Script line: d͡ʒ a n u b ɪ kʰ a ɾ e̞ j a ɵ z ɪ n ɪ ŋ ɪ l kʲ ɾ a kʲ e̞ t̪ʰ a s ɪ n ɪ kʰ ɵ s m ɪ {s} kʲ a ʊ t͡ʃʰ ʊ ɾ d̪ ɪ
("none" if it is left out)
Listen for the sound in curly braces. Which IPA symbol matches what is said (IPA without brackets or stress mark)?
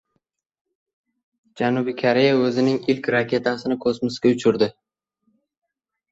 s